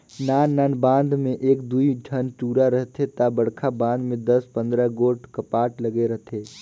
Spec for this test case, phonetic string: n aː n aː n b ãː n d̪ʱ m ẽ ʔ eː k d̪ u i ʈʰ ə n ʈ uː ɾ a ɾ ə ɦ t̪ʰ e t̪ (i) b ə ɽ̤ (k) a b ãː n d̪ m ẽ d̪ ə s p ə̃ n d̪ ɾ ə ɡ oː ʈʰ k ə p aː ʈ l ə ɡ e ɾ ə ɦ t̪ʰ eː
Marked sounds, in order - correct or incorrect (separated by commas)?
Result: incorrect, incorrect